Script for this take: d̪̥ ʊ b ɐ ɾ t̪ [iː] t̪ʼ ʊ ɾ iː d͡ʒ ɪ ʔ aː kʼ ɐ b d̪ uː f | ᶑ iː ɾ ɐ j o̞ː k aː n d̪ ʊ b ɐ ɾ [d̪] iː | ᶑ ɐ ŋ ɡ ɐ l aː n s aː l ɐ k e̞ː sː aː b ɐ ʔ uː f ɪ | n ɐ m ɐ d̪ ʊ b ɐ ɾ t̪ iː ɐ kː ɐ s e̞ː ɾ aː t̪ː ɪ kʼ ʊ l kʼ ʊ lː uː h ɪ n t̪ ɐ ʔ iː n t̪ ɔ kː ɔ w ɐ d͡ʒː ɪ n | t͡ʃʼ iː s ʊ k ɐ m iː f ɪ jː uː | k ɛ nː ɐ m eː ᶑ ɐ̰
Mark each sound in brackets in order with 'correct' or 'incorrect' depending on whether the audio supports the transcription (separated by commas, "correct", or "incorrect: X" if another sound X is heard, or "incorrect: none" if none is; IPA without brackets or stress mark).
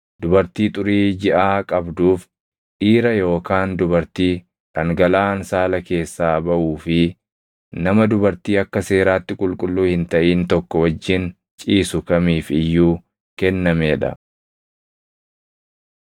correct, incorrect: t̪